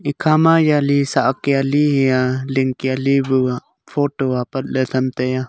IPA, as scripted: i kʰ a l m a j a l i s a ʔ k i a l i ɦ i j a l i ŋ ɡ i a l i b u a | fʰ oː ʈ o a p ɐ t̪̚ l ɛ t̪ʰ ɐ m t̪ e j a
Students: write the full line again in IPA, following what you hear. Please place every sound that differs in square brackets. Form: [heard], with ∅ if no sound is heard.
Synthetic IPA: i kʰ a [∅] m a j a l i s a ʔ k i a l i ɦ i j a l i ŋ [k] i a l i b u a | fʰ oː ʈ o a p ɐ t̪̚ l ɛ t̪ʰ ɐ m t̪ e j a